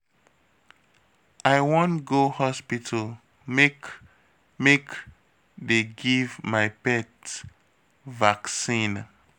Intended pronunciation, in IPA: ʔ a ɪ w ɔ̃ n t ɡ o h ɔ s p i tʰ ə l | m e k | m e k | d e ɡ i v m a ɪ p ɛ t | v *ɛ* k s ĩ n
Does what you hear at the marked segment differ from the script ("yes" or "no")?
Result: yes